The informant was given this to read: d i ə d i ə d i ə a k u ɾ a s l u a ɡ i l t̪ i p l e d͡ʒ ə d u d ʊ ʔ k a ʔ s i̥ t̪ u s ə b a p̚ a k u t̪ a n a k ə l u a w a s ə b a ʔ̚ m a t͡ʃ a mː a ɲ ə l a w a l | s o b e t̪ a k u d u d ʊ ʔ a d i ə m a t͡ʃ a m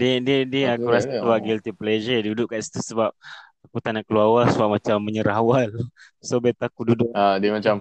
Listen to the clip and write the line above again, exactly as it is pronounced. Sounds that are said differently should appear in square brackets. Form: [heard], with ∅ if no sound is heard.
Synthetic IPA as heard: d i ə d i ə d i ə a k u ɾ a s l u a ɡ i l t̪ i p l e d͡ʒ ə d u d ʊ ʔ k a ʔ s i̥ t̪ u s ə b a p̚ a k u t̪ a n a k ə l u a w a s ə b a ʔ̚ m a t͡ʃ a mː [ə] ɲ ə [ɾ] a w a l | s o b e t̪ a k u d u d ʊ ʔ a d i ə m a t͡ʃ a m